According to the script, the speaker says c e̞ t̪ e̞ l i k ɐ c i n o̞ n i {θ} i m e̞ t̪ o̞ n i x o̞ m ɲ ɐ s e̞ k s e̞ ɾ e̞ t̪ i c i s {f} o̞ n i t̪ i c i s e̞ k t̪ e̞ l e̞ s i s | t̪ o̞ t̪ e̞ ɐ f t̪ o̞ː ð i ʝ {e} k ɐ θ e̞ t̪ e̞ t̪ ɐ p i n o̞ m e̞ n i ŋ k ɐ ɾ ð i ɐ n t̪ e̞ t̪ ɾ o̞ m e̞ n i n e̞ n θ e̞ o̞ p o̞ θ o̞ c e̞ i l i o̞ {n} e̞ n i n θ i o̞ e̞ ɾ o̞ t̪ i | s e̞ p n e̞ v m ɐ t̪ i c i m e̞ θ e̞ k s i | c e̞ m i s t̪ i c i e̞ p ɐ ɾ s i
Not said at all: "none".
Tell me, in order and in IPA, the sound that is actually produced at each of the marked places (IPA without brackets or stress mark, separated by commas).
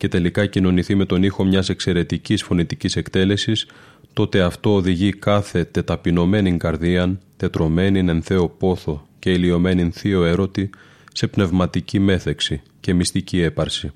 θ, f, i, m